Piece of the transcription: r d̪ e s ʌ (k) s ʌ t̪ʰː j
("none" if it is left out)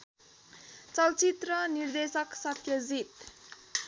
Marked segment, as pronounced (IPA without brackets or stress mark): k